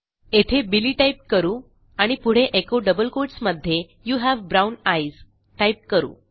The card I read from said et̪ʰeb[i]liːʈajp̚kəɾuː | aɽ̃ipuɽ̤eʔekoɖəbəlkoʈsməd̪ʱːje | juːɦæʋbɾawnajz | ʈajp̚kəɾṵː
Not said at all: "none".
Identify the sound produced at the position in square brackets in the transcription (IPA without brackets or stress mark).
i